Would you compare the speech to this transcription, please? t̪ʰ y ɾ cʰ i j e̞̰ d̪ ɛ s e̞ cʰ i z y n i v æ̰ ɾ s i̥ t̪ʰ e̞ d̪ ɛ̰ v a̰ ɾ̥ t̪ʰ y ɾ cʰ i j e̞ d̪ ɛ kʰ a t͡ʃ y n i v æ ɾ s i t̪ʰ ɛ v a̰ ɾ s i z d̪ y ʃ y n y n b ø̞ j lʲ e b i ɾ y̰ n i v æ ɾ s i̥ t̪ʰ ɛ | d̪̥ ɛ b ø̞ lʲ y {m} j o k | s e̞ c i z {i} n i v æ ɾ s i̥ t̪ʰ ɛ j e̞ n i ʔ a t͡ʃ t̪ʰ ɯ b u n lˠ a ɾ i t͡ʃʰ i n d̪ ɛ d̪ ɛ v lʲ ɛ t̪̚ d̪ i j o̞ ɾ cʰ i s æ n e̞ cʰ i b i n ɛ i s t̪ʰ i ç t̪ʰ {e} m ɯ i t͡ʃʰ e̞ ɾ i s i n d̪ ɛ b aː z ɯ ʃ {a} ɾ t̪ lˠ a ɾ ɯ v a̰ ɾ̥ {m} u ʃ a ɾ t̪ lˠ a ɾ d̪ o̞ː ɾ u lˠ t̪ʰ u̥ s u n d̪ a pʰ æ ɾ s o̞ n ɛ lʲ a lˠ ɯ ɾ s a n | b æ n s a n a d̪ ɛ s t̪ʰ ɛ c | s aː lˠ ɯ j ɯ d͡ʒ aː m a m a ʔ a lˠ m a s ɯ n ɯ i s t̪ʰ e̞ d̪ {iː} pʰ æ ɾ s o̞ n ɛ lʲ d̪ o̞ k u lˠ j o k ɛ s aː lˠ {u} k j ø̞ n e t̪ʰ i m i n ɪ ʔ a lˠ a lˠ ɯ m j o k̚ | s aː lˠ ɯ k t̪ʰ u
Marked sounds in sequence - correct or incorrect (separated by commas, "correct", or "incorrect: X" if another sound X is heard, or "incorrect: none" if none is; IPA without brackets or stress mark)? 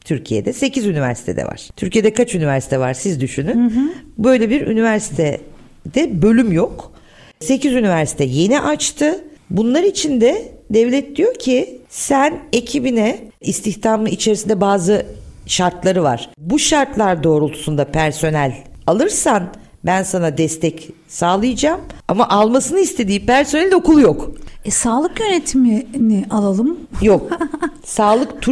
correct, incorrect: y, incorrect: a, correct, incorrect: b, correct, incorrect: ɯ